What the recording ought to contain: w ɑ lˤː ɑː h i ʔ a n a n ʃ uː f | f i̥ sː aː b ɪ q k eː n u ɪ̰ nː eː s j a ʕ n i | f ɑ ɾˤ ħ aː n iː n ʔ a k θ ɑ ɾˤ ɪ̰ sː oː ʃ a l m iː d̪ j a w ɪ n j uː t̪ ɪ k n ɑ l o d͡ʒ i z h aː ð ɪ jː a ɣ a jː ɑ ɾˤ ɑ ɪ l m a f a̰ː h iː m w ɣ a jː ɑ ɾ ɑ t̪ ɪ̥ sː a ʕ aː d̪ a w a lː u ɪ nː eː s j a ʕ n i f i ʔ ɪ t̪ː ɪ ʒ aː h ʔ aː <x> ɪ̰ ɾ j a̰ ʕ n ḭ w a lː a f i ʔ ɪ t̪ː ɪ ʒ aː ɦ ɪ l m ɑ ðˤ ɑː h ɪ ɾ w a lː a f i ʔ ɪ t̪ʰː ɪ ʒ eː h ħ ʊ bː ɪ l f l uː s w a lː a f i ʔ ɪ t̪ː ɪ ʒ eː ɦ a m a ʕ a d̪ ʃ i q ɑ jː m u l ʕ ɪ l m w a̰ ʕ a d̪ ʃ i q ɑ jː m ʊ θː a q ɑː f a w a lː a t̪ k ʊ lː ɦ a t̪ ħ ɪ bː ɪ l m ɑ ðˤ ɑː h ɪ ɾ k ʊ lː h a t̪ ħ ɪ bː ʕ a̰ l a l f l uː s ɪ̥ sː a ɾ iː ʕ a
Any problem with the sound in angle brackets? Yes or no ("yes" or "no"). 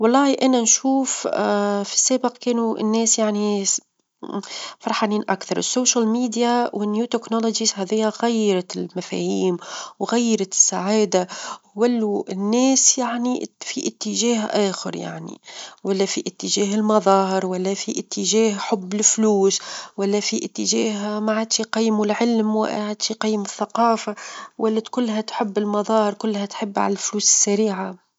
no